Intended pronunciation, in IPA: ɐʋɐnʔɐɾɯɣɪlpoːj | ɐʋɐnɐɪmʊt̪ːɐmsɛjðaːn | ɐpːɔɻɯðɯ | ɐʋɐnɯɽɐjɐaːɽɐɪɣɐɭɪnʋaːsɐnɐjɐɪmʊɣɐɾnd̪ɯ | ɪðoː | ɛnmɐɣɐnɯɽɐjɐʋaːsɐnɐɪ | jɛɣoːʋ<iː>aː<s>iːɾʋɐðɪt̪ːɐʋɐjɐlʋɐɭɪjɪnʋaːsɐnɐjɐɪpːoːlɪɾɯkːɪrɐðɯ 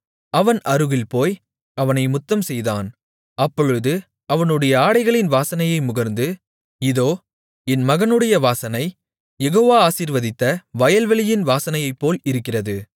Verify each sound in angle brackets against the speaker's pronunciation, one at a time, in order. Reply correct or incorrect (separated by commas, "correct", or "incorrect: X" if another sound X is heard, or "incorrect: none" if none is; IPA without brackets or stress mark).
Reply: incorrect: aː, correct